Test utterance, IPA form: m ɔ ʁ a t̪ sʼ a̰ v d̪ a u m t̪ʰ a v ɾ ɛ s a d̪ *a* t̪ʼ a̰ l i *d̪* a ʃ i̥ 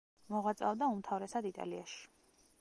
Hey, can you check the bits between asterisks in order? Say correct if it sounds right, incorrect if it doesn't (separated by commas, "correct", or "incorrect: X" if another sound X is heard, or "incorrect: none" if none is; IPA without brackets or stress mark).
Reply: incorrect: i, incorrect: none